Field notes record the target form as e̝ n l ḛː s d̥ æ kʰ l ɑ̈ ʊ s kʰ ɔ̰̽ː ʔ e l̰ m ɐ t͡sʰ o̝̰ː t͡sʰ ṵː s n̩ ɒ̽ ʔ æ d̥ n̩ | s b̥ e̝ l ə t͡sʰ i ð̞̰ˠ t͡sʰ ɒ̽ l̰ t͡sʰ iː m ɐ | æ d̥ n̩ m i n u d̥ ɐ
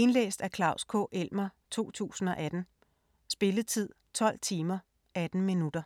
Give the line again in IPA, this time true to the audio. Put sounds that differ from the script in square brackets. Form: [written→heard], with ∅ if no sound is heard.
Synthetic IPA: e̝ n l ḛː s d̥ æ kʰ l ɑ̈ ʊ s kʰ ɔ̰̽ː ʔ e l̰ m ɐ t͡sʰ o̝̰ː t͡sʰ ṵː s n̩ ɒ̽ ʔ æ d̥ n̩ | s b̥ e̝ l ə t͡sʰ i ð̞̰ˠ t͡sʰ ɒ̽ l̰ t͡sʰ iː m ɐ | æ d̥ n̩ m i n u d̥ ɐ